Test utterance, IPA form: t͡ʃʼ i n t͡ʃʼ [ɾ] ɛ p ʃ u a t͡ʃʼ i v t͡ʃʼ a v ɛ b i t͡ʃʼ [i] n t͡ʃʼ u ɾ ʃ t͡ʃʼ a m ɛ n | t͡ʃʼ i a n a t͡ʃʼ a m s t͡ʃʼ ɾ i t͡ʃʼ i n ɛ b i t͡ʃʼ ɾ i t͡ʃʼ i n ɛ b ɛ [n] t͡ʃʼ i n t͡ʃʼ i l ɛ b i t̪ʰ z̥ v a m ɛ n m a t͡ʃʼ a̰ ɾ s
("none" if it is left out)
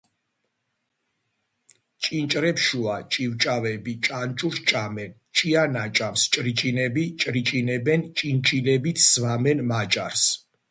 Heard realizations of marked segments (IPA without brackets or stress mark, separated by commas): ɾ, a, n